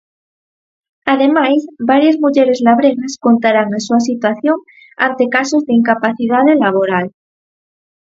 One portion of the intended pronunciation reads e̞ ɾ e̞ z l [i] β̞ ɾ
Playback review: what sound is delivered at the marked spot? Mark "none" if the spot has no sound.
a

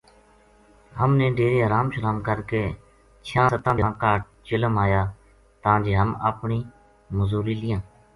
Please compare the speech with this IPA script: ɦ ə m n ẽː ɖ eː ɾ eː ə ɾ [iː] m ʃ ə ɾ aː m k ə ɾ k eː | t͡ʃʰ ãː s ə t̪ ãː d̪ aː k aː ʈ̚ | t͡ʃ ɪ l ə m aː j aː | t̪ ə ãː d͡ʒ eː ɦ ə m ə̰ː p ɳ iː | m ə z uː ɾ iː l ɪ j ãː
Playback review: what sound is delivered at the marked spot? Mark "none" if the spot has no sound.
aː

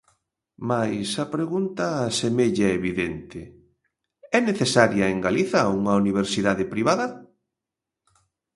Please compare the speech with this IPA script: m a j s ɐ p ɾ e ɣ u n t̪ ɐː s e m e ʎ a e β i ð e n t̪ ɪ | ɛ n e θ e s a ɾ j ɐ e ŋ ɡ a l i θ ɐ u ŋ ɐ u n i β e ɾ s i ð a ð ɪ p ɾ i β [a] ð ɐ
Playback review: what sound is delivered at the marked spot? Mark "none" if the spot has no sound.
a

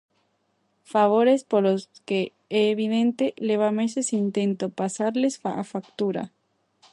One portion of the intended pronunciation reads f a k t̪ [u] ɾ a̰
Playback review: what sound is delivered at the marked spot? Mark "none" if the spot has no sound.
u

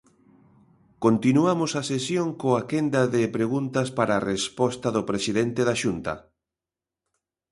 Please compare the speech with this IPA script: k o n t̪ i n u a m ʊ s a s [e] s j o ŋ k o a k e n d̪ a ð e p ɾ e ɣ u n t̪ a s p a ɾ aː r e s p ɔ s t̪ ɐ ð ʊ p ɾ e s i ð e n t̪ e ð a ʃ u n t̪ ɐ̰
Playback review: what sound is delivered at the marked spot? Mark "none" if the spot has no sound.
e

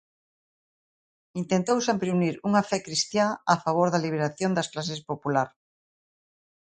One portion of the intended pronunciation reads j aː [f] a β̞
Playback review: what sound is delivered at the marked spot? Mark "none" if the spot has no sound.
f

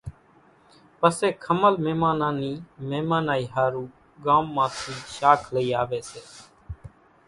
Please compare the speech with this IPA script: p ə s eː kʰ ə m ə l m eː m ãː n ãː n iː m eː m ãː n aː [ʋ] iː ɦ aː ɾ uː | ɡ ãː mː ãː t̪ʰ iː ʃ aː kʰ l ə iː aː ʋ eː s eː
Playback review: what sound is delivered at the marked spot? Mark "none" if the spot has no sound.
none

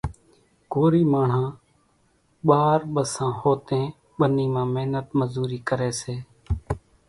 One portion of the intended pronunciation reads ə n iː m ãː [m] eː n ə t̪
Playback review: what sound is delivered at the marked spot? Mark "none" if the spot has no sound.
m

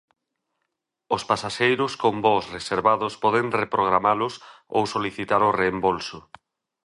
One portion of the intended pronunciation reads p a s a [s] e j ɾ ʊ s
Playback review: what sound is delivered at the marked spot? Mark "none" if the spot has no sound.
ʃ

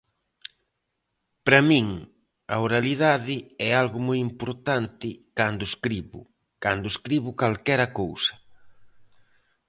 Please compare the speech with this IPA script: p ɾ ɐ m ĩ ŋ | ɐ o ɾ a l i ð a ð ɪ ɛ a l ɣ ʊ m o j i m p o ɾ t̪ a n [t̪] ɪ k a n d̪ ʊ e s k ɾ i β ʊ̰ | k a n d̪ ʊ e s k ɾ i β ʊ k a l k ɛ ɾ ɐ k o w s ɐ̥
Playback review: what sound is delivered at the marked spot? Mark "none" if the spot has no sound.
t̪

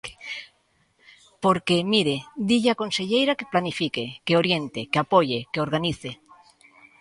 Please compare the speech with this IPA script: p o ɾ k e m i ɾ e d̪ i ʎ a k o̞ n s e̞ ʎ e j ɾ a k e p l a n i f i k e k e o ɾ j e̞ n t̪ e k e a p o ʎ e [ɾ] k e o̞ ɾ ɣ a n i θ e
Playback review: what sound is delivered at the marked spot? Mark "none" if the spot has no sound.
none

